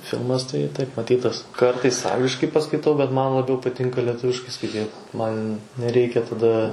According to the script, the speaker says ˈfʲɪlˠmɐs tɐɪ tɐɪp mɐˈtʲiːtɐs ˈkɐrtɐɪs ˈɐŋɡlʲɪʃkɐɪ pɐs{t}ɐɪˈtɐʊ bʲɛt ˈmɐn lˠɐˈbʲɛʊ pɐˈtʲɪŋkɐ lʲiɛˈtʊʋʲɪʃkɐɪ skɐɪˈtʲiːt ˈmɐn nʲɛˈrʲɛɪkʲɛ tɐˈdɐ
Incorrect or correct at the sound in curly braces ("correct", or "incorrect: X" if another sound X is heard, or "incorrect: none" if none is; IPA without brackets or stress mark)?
incorrect: k